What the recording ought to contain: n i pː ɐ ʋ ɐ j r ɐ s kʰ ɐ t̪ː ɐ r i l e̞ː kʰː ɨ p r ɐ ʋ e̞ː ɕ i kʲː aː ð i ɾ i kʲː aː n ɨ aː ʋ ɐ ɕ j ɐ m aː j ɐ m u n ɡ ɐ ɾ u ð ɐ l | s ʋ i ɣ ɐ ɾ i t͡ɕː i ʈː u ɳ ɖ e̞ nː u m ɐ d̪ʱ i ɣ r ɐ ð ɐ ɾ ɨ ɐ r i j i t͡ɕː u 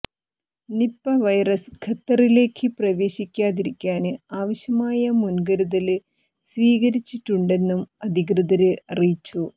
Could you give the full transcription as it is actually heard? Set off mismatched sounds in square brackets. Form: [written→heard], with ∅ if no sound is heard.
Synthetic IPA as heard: n i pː ɐ ʋ ɐ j r ɐ s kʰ ɐ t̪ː ɐ r i l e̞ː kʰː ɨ p r ɐ ʋ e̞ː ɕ i kʲː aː ð i ɾ i kʲː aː n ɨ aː ʋ ɐ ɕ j ɐ m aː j ɐ m u n ɡ ɐ ɾ u ð ɐ l | s ʋ [i→iː] ɣ ɐ ɾ i t͡ɕː i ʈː u ɳ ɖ e̞ nː u m ɐ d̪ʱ i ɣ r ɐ ð ɐ ɾ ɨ ɐ r i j i t͡ɕː u